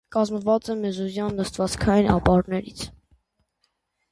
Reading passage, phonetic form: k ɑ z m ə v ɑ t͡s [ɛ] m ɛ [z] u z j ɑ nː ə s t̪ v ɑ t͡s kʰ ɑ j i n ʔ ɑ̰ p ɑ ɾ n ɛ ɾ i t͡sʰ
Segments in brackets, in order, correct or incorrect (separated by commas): correct, correct